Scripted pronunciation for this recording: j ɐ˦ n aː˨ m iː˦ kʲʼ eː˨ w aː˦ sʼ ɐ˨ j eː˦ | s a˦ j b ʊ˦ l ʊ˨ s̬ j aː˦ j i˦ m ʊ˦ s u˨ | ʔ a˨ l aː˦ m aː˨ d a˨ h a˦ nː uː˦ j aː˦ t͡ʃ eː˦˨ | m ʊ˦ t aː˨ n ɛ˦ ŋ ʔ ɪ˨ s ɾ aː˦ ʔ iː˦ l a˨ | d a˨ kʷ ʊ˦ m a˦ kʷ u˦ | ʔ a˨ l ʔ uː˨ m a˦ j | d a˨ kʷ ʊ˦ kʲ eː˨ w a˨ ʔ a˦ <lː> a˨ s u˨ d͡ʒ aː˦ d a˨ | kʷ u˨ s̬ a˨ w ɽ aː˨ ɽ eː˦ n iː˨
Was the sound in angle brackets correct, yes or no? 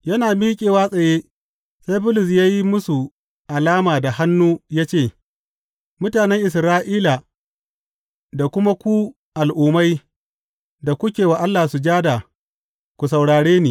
yes